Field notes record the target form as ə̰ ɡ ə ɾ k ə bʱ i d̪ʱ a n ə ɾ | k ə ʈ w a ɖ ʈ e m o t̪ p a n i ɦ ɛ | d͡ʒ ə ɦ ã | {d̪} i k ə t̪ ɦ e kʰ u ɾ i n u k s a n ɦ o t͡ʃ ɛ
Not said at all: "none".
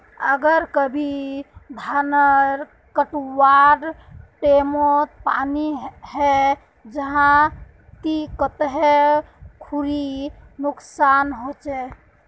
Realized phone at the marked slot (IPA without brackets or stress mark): t̪